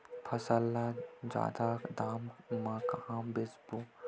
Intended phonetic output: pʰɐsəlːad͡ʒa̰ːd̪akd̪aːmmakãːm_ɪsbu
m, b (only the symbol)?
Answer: b